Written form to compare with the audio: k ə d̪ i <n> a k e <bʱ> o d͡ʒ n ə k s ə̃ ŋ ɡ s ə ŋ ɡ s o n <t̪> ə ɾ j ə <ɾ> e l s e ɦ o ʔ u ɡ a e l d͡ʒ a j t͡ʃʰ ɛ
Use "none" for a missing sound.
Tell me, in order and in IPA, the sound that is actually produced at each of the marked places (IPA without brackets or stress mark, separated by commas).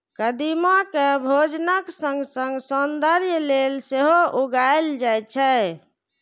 m, bʱ, d̪, l